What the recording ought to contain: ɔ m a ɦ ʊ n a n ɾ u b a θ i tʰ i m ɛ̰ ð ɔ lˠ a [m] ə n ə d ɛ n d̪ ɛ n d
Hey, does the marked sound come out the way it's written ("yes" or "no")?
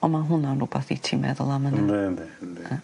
yes